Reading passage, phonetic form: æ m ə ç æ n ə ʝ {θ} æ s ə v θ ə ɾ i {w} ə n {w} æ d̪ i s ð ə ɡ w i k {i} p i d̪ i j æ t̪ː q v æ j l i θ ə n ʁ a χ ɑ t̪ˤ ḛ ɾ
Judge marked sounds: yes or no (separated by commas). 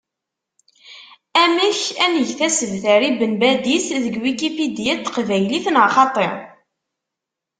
yes, no, no, yes